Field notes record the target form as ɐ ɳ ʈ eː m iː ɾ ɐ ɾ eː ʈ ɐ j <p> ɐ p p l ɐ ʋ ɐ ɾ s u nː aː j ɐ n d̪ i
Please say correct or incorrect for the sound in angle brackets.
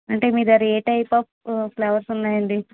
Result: correct